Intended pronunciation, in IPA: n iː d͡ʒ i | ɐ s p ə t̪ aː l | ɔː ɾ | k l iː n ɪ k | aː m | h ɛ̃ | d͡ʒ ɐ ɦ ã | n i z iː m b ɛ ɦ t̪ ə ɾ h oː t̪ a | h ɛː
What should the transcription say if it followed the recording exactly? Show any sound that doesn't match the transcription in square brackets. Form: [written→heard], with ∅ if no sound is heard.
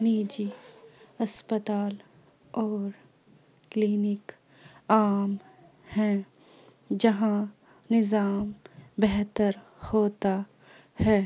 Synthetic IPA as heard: n iː d͡ʒ i | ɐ s p ə t̪ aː l | ɔː ɾ | k l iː n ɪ k | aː m | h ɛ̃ | d͡ʒ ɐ ɦ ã | n [i→ɪ] z [iː→aː] m b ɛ ɦ t̪ ə ɾ h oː t̪ a | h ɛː